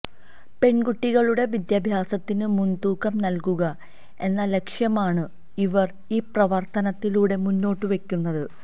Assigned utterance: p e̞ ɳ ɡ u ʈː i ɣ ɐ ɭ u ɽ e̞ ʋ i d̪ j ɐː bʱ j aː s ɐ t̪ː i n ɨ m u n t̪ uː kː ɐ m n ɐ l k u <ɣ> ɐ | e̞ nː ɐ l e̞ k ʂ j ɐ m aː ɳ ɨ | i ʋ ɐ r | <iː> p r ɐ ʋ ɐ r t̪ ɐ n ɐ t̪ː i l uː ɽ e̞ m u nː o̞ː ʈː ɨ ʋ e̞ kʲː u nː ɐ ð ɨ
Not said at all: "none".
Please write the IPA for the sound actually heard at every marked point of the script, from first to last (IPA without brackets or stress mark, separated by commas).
ɣ, iː